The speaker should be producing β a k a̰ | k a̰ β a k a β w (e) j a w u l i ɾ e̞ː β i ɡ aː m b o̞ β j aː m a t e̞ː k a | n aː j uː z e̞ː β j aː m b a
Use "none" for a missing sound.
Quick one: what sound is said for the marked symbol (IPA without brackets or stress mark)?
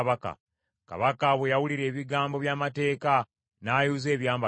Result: e